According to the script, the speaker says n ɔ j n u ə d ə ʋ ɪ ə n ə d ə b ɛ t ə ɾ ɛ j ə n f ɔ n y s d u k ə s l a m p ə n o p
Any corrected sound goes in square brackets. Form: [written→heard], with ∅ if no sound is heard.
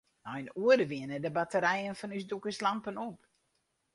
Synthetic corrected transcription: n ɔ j n u ə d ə ʋ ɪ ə n ə d ə b [ɛ→a] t ə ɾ ɛ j ə n f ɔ n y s d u k ə s l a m p ə n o p